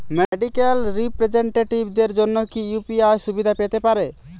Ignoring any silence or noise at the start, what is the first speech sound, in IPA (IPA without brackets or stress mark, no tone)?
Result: m